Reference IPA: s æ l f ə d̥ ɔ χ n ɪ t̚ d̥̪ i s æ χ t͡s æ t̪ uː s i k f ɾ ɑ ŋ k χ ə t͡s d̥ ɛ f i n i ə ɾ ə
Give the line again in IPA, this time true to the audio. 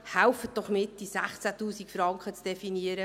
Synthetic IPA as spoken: h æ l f ə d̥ ɔ χ m ɪ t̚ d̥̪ i s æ χ t͡s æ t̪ uː s i k f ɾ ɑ ŋ k χ ə t͡s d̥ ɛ f i n i ə ɾ ə